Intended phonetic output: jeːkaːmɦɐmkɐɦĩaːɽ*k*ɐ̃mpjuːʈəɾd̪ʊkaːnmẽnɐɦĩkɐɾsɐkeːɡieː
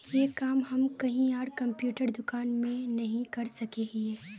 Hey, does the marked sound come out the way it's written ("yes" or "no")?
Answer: yes